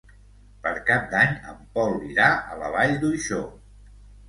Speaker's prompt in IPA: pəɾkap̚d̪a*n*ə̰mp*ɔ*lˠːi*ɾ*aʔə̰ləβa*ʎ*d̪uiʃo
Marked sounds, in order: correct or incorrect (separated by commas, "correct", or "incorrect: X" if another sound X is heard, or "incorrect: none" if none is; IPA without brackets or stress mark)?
incorrect: ɲ, correct, correct, correct